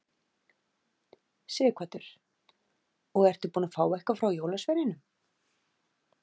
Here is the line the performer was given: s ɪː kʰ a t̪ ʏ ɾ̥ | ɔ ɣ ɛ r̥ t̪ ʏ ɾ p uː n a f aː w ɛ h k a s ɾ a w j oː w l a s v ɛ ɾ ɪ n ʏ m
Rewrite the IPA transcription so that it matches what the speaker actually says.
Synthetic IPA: s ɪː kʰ a t̪ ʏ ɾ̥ | ɔ ɣ ɛ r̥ t̪ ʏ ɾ p uː n a f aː w ɛ h k a f ɾ a w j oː w l a s v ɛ ɾ ɪ n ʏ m